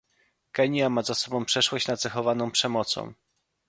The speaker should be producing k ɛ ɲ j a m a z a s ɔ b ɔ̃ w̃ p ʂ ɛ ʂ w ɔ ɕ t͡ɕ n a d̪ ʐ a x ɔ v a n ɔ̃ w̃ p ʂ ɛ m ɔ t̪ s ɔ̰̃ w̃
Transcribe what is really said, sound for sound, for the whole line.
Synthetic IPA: k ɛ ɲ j a m a z a s ɔ b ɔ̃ w̃ p ʂ ɛ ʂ w ɔ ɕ t͡ɕ n a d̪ z a x ɔ v a n ɔ̃ w̃ p ʂ ɛ m ɔ t̪ s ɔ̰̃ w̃